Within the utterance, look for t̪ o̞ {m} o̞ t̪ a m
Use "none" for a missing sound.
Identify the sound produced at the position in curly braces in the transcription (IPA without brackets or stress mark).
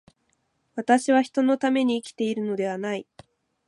n